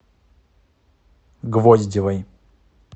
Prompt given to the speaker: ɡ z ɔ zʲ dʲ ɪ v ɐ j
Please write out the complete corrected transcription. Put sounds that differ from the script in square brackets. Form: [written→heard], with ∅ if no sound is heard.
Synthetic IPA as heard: ɡ [z→v] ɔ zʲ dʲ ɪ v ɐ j